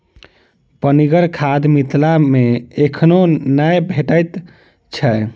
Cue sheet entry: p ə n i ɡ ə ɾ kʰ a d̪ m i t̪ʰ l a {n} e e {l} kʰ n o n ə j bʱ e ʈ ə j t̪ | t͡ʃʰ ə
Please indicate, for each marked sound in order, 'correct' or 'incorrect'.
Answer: incorrect, incorrect

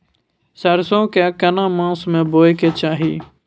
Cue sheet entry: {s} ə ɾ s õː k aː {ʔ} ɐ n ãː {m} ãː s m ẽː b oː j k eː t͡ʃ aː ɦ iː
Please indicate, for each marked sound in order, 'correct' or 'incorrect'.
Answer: correct, incorrect, correct

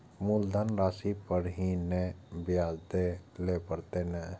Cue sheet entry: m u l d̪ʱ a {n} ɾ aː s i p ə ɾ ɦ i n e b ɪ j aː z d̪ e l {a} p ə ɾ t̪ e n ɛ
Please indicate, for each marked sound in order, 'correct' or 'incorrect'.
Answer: correct, incorrect

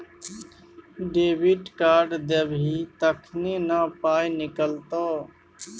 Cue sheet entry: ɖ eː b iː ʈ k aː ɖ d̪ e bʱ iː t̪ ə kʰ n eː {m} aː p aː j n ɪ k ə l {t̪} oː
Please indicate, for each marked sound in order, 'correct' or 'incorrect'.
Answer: incorrect, correct

